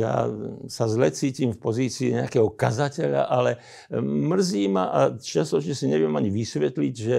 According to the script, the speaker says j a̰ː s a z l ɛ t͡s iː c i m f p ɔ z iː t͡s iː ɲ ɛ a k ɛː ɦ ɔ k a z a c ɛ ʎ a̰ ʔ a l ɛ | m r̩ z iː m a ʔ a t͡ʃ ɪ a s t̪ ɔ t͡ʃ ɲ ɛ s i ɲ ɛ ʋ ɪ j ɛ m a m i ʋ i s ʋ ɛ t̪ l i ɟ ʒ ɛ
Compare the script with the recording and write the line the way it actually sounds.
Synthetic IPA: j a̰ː s a z l ɛ t͡s iː c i m f p ɔ z iː t͡s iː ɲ ɛ a k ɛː ɦ ɔ k a z a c ɛ ʎ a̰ ʔ a l ɛ | m r̩ z iː m a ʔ a t͡ʃ ɪ a s t̪ ɔ t͡ʃ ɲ ɛ s i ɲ ɛ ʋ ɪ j ɛ m a ɲ i ʋ i s ʋ ɛ t̪ l i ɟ ʒ ɛ